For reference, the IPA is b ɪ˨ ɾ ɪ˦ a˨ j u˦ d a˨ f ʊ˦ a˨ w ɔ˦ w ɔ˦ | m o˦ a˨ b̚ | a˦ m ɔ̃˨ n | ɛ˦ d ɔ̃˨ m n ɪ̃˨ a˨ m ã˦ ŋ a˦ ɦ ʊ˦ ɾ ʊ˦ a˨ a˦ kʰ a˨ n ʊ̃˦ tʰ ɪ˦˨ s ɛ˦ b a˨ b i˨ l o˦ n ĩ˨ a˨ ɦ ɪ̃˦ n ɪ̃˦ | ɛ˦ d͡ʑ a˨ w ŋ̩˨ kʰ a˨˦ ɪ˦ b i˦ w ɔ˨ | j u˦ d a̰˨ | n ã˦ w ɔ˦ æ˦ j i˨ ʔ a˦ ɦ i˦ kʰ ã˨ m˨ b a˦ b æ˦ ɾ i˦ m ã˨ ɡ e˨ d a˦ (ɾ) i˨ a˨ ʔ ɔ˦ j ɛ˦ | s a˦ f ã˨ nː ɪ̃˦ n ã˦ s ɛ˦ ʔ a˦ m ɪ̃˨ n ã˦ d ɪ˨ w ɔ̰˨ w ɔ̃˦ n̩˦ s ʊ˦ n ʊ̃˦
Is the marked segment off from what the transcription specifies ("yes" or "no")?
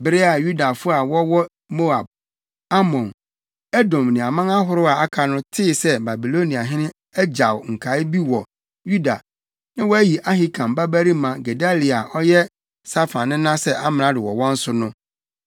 yes